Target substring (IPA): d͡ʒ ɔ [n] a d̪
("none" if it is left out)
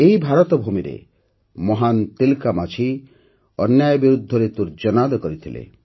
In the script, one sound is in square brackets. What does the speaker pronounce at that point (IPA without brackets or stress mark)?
n